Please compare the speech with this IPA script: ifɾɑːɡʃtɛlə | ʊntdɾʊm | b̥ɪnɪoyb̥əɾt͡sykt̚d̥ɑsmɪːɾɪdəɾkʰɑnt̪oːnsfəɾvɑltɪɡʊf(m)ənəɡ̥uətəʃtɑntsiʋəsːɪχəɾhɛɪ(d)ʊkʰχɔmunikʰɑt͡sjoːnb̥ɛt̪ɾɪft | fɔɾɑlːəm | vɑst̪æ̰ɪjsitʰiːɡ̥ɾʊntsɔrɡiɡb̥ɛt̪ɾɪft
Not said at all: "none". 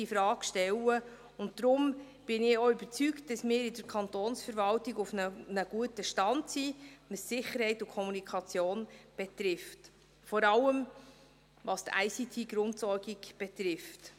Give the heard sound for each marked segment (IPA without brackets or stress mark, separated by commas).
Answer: n, t